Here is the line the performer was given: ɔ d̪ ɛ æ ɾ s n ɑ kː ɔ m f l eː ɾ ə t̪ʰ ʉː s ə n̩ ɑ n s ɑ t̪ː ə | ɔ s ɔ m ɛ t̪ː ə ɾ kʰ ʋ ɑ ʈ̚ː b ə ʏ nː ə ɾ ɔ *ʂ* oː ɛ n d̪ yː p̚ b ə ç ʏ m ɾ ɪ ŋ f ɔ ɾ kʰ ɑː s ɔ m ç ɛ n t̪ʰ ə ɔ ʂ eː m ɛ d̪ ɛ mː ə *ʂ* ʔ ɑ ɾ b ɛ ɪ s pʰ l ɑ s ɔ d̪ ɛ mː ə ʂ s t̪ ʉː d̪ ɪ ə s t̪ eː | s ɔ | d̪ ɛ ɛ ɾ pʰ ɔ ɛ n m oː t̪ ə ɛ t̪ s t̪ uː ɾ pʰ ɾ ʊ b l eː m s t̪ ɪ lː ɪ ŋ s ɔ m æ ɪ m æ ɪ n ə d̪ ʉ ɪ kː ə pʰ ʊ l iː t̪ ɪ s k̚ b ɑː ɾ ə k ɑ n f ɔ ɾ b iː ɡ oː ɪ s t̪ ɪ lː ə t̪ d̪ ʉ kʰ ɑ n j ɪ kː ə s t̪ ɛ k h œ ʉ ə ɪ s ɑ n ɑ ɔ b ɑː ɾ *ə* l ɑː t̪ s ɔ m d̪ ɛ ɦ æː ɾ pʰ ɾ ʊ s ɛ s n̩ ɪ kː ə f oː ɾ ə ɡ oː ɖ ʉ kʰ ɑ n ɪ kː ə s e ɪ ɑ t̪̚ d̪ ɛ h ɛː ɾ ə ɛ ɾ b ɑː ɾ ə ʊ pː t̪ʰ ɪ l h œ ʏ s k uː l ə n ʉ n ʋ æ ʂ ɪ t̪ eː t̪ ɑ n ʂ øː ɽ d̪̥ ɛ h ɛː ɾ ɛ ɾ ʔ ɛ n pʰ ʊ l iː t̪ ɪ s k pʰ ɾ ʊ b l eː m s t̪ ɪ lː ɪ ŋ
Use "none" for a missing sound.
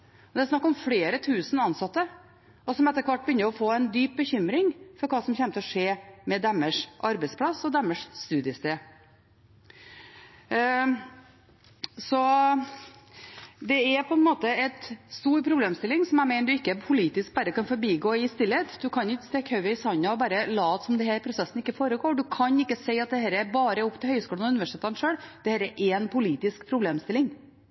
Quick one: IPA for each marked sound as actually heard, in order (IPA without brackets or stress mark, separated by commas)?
f, ʂ, ə